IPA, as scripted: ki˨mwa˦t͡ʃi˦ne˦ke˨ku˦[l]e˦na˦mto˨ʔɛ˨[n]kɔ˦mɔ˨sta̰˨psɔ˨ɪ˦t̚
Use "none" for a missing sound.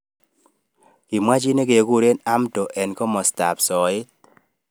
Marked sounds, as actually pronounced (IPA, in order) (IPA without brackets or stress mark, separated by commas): ɾ, n